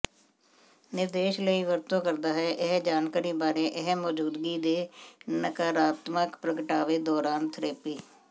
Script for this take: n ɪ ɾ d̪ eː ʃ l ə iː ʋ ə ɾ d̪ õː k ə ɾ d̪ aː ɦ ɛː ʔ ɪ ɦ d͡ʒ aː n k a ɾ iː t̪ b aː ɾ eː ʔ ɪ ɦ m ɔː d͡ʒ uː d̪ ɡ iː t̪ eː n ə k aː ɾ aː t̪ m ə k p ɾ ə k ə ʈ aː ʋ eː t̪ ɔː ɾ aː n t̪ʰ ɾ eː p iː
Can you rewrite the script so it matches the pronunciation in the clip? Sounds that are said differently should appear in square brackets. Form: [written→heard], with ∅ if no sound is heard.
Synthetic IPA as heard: n ɪ ɾ d̪ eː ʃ l ə iː ʋ ə ɾ [d̪→t̪] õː k ə ɾ d̪ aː ɦ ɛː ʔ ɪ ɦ d͡ʒ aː n k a ɾ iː [t̪→∅] b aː ɾ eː ʔ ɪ ɦ m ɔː d͡ʒ uː d̪ ɡ iː [t̪→d̪] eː n ə k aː ɾ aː t̪ m ə k p ɾ ə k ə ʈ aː ʋ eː [t̪→d̪] ɔː ɾ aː n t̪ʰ ɾ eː p iː